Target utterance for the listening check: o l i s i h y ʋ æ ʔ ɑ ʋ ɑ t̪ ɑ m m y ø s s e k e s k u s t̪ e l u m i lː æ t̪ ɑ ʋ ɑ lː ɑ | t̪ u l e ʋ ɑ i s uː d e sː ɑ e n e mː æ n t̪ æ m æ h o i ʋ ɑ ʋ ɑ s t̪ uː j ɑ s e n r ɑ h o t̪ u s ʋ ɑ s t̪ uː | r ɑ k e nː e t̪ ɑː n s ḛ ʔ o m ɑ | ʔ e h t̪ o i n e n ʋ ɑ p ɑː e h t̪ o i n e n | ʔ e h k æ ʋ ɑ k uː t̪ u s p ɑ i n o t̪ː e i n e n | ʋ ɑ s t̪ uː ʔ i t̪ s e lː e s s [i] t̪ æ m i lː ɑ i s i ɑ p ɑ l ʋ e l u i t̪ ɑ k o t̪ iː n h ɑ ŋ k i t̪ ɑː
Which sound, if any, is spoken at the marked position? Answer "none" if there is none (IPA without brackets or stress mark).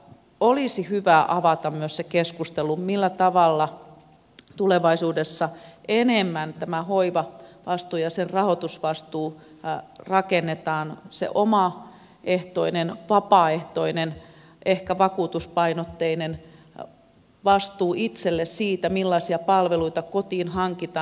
iː